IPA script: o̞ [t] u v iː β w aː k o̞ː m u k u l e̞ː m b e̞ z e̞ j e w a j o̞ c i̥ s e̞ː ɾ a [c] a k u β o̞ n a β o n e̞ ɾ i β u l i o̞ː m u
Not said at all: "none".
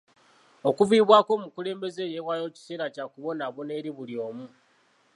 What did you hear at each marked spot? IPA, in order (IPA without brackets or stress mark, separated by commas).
k, c